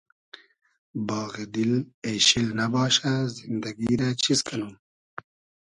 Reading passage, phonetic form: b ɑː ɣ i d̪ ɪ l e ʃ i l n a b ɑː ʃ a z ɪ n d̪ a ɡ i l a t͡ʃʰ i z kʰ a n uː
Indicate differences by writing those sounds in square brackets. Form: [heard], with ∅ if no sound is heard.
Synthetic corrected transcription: b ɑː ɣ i d̪ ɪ l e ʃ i l n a b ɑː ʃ a z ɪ n d̪ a ɡ i [ɾ] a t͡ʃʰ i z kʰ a n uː